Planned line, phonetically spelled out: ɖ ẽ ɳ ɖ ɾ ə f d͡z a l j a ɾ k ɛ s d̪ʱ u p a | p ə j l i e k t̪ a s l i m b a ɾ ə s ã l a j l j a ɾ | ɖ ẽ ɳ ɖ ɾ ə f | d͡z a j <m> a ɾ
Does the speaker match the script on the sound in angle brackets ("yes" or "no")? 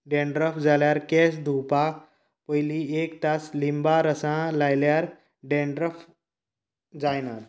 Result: no